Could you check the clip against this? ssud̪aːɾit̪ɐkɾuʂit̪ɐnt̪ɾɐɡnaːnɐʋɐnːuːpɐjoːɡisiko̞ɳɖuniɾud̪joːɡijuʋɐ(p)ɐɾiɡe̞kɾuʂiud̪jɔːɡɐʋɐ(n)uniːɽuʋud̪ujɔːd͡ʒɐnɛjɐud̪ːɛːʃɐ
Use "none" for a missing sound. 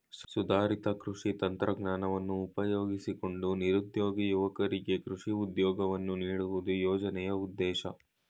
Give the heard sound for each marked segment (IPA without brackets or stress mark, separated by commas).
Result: k, nː